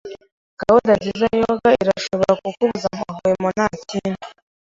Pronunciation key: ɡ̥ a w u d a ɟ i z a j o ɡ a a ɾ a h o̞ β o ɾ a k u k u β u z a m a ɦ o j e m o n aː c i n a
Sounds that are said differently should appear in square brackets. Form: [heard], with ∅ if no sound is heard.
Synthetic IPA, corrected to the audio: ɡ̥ a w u d a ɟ i z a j o ɡ a [i] ɾ a [ʃ] o̞ β o ɾ a k u k u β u z a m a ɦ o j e m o n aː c i n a